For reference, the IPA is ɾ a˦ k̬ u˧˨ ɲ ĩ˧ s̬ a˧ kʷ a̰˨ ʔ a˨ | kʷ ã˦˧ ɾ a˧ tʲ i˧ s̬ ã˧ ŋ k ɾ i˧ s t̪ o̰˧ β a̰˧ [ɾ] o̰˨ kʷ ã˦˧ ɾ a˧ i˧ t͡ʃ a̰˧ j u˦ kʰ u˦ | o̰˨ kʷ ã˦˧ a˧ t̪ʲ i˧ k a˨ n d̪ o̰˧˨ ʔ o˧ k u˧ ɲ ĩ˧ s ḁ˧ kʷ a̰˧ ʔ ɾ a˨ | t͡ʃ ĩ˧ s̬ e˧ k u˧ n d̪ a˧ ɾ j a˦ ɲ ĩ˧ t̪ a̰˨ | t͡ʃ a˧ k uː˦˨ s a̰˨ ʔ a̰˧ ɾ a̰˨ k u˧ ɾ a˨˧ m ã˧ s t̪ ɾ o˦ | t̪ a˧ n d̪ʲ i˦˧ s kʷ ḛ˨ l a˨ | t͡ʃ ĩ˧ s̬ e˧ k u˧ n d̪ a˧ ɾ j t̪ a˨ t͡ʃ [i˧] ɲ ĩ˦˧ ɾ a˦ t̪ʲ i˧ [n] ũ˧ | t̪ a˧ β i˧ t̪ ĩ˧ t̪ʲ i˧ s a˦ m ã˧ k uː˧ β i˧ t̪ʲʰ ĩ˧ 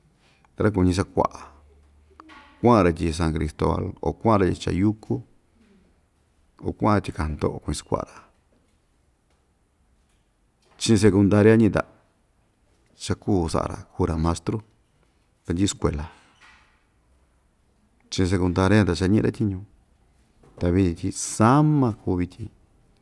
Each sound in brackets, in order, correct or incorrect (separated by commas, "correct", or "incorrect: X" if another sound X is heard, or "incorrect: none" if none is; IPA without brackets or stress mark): incorrect: l, incorrect: a˧, incorrect: ɲ